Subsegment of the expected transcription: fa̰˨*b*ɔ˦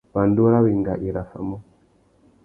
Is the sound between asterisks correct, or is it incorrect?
incorrect